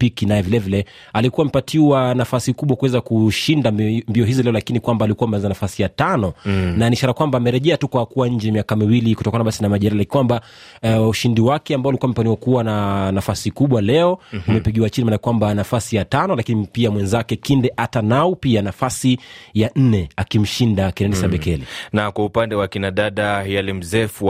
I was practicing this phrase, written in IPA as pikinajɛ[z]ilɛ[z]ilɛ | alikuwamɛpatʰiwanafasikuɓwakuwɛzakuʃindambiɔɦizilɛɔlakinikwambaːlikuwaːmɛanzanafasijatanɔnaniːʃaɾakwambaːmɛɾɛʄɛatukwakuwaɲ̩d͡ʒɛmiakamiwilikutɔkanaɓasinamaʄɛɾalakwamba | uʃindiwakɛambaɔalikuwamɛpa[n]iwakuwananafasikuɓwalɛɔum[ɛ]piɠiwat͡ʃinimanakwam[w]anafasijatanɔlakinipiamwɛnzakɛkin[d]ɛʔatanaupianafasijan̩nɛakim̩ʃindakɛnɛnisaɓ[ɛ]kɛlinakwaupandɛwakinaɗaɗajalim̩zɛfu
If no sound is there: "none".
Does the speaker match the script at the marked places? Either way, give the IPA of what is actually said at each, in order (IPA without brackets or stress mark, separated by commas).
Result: v, v, n, ɛ, b, d, ɛ